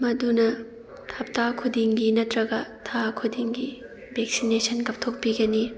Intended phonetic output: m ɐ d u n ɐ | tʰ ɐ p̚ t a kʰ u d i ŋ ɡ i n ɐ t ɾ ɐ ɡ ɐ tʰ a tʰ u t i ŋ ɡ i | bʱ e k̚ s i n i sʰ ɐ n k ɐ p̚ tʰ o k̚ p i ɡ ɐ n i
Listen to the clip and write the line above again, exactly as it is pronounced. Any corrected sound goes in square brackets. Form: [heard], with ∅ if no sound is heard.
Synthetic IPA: m ɐ d u n ɐ | tʰ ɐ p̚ t a kʰ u d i ŋ ɡ i n ɐ t ɾ ɐ ɡ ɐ tʰ a [kʰ] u [d] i ŋ ɡ i | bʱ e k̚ s i n [e] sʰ ɐ n k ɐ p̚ tʰ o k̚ p i ɡ ɐ n i

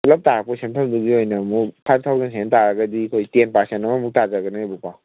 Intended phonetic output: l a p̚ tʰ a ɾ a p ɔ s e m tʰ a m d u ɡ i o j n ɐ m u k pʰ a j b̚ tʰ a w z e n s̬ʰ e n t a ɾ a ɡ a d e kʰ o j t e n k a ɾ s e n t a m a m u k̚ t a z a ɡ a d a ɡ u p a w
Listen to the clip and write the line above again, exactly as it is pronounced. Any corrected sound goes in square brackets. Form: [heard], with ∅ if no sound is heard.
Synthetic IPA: l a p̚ [t] a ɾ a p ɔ s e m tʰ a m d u ɡ i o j n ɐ m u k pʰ a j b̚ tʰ a w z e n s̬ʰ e n t a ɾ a ɡ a d [i] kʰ o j t e n [p] a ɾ s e n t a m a m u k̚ t a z a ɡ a [n] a [b] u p a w

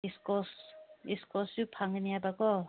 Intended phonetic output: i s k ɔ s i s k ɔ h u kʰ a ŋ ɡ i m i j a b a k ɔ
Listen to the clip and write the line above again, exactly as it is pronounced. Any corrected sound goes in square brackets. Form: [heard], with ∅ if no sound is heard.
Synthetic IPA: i s k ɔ s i s k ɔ [s] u [pʰ] a ŋ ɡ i [n] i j a b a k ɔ

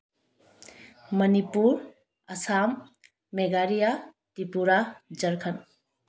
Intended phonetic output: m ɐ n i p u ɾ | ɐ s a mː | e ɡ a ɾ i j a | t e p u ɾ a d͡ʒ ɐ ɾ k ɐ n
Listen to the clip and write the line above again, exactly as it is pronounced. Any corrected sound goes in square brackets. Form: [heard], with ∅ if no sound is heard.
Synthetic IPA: m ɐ n i p u ɾ | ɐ s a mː | e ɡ a ɾ i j a | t [i] p u ɾ a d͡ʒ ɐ ɾ [kʰ] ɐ n

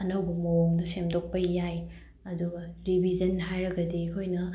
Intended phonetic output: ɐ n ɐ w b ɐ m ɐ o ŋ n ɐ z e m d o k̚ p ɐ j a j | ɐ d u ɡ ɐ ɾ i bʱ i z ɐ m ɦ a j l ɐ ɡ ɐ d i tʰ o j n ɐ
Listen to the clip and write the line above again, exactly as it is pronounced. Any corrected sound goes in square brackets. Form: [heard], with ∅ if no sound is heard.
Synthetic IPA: ɐ n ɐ w b ɐ m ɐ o ŋ [d] ɐ [s] e m d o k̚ p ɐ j a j | ɐ d u ɡ ɐ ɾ i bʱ i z ɐ [n] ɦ a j [ɾ] ɐ ɡ ɐ d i [kʰ] o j n ɐ

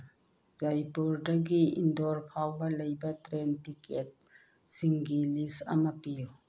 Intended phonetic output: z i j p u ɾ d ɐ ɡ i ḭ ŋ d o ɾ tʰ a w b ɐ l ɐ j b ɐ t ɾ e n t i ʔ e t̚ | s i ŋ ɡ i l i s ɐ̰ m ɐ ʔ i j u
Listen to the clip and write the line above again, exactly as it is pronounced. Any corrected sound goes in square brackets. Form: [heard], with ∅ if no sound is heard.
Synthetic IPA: z [a] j p u ɾ d ɐ ɡ i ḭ [n] d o ɾ [pʰ] a w b ɐ l ɐ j b ɐ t ɾ e n t i [k] e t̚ | s i ŋ ɡ i l i s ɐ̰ m ɐ [p] i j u

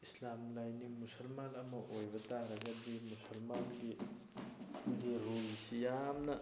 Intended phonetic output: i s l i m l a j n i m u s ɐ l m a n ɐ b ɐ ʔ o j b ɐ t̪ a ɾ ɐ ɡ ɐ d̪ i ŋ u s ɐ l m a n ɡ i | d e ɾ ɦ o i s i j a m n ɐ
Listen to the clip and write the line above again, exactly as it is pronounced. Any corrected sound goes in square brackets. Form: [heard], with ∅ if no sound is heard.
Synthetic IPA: i s l [a] m l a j n i m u s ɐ l m a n ɐ [m] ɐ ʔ o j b ɐ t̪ a ɾ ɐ ɡ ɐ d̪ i [m] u s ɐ l m a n ɡ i | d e ɾ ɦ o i s i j a m n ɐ

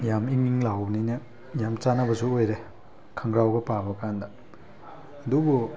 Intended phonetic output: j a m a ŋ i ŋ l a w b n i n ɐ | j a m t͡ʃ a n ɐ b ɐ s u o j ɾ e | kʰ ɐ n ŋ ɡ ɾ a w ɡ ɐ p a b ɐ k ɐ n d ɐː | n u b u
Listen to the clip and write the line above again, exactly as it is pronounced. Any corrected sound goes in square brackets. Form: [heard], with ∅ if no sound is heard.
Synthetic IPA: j a m [i] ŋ i ŋ l a w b n i n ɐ | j a m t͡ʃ a n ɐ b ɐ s u o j ɾ e | kʰ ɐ [∅] ŋ ɡ ɾ a w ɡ ɐ p a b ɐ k [a] n d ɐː | [d] u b u

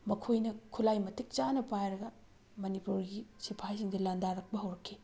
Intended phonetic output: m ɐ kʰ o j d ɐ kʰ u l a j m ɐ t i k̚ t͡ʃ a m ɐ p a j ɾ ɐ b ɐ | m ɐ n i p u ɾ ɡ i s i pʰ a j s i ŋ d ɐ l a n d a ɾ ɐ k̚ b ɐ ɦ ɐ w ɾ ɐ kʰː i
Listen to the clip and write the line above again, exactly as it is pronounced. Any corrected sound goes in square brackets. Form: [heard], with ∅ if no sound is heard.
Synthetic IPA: m ɐ kʰ o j [n] ɐ kʰ u l a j m ɐ t i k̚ t͡ʃ a [n] ɐ p a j ɾ ɐ [ɡ] ɐ | m ɐ n i p u ɾ ɡ i s i pʰ a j s i ŋ d ɐ l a n d a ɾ ɐ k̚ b ɐ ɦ ɐ w ɾ ɐ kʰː i

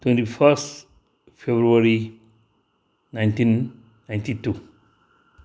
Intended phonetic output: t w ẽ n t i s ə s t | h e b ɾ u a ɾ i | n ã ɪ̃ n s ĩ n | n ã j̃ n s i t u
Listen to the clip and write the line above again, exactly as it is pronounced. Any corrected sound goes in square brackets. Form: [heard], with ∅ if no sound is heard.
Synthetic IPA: t w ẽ n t i [f] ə s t | [f] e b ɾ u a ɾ i | n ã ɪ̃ n [t] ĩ n | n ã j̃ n [t] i t u

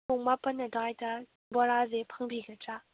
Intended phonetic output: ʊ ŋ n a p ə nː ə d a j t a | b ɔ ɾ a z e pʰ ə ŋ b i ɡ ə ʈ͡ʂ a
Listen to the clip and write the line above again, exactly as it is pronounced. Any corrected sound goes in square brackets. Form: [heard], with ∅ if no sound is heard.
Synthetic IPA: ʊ ŋ [m] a p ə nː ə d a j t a | b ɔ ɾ a z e pʰ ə ŋ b i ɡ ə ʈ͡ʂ a

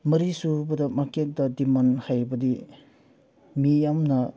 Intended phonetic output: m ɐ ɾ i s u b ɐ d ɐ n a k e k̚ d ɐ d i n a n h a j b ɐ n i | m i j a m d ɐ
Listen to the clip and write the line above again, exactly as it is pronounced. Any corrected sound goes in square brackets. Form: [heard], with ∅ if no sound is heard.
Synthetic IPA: m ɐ ɾ i s u b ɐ d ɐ [m] a k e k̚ d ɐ d i [m] a n h a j b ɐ [d] i | m i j a m [n] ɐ

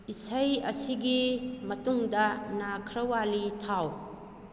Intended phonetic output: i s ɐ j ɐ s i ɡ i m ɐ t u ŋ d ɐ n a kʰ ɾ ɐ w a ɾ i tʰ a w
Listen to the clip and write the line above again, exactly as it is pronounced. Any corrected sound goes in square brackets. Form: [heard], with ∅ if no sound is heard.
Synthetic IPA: i s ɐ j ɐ s i ɡ i m ɐ t u ŋ d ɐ n a kʰ ɾ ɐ w a [l] i tʰ a w

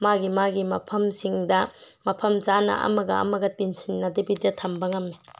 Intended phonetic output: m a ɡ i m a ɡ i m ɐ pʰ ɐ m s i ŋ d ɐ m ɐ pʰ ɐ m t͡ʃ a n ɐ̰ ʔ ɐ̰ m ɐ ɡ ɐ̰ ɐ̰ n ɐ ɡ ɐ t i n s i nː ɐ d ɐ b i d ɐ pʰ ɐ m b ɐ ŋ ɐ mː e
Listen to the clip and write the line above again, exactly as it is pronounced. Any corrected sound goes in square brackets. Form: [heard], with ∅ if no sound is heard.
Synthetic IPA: m a ɡ i m a ɡ i m ɐ pʰ ɐ m s i ŋ d ɐ m ɐ pʰ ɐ m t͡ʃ a n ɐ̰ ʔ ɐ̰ m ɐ ɡ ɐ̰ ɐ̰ [m] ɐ ɡ ɐ t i n s i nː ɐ d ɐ b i d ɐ [tʰ] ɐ m b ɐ ŋ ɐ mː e

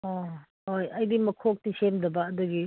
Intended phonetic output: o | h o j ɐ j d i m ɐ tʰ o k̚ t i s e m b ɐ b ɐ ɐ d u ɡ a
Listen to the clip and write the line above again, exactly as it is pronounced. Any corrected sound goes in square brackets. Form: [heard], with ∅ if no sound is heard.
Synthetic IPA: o | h o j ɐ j d i m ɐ [kʰ] o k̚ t i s e m [d] ɐ b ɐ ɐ d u ɡ [i]

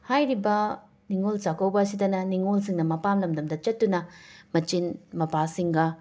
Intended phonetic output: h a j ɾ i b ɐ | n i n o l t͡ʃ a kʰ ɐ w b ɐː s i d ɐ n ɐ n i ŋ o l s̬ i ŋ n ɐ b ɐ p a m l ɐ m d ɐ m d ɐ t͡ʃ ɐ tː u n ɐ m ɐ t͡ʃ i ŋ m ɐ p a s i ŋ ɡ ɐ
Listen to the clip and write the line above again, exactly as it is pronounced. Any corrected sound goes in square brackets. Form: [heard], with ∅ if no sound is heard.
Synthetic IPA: h a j ɾ i b ɐ | n i [ŋ] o l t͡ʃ a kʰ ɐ w b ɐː s i d ɐ n ɐ n i ŋ o l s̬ i ŋ n ɐ [m] ɐ p a m l ɐ m d ɐ m d ɐ t͡ʃ ɐ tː u n ɐ m ɐ t͡ʃ i [n] m ɐ p a s i ŋ ɡ ɐ

